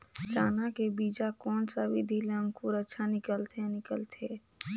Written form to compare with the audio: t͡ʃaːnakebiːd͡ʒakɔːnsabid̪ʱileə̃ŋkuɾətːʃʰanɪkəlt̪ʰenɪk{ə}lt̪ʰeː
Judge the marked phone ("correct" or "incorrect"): correct